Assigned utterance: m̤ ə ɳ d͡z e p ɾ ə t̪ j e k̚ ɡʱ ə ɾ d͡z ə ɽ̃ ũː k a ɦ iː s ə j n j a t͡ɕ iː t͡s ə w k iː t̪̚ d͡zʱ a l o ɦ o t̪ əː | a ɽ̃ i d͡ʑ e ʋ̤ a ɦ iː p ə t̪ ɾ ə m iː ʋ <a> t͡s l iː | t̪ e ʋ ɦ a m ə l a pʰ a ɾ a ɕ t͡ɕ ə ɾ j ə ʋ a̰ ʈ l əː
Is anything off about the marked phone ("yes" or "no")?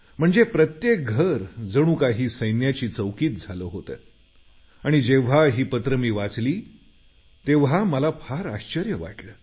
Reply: no